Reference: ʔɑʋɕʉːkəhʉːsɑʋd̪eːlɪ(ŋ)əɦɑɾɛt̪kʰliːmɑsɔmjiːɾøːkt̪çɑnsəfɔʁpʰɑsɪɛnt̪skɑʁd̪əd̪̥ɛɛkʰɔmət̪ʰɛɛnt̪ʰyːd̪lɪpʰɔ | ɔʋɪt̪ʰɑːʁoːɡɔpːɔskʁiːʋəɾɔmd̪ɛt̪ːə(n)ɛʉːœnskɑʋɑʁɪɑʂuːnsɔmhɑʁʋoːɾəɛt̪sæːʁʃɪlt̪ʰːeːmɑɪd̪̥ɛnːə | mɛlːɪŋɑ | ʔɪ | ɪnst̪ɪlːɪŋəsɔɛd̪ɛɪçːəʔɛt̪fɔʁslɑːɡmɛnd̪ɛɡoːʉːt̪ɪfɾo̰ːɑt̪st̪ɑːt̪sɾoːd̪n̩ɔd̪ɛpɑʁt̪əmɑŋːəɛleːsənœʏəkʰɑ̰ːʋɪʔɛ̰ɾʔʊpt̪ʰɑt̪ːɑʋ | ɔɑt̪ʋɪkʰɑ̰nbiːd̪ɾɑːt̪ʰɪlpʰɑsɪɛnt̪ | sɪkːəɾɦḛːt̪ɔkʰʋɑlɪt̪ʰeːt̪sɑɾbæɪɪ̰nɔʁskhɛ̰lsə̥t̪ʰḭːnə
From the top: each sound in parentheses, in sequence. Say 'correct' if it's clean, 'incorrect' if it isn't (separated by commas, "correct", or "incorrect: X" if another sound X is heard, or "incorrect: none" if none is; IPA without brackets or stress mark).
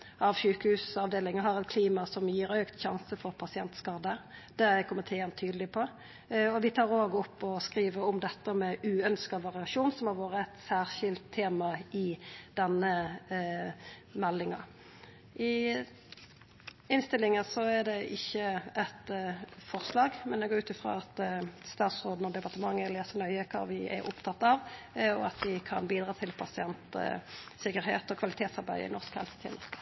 correct, incorrect: m